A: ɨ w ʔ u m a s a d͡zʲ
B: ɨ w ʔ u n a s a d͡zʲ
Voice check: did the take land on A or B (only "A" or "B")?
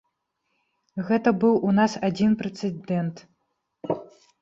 B